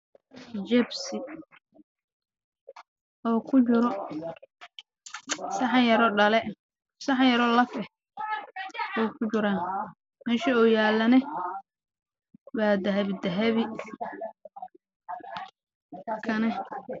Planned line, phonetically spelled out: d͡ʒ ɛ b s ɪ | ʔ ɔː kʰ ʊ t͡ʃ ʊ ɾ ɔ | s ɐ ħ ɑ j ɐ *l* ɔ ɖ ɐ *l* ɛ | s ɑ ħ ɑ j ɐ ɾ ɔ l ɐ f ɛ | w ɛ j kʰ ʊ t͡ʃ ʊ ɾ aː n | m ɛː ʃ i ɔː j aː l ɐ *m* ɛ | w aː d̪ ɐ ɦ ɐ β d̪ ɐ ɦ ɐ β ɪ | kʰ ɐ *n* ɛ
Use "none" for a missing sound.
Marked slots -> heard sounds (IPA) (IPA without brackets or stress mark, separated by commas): ɾ, l, n, n